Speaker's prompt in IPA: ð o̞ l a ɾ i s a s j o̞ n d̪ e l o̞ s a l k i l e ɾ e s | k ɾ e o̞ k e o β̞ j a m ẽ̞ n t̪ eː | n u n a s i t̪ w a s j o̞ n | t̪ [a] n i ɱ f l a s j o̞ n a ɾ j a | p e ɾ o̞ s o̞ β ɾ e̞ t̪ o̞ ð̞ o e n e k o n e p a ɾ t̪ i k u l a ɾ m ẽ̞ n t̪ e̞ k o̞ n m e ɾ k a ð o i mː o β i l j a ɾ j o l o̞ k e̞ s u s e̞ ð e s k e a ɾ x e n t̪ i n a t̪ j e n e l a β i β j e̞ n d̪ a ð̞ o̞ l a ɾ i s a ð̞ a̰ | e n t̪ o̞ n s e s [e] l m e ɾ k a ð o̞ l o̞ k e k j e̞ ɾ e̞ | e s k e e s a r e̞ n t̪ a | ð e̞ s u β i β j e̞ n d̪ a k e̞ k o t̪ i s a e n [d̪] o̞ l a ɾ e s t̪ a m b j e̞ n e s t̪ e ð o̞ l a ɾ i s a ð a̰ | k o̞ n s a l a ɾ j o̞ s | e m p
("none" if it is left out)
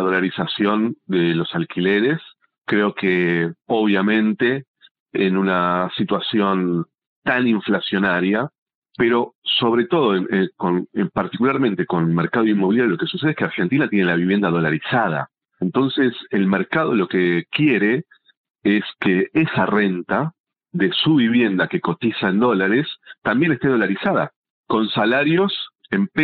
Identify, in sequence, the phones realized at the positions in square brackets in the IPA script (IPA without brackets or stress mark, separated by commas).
a, e, d̪